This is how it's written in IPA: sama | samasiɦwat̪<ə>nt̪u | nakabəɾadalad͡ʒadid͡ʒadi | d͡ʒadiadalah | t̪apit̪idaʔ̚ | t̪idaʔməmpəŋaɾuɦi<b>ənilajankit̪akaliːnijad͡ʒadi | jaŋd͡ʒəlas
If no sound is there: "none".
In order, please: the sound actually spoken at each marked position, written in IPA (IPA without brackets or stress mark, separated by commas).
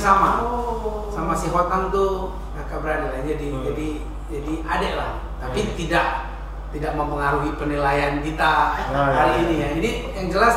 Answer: a, p